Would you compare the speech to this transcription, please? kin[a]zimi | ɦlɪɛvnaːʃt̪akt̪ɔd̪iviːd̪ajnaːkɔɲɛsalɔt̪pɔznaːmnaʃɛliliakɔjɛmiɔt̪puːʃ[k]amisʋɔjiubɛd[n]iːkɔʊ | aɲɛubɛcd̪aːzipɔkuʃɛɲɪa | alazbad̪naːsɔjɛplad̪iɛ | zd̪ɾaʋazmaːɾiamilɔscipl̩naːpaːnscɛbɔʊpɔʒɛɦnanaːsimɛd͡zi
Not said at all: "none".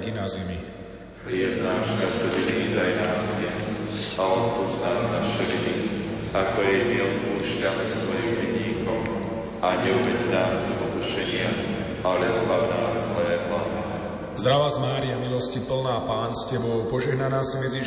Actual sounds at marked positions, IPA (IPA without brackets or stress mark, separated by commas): a, c, ɲ